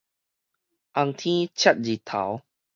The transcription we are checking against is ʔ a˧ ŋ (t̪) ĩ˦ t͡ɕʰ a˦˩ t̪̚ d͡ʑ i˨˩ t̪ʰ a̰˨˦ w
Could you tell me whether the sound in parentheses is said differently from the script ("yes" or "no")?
yes